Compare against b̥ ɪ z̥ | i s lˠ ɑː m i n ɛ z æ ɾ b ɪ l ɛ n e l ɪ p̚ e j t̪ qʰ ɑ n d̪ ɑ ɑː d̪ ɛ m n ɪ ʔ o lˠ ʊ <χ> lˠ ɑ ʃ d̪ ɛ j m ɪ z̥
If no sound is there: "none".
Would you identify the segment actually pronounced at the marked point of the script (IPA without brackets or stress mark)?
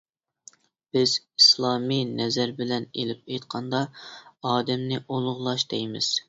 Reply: ʁ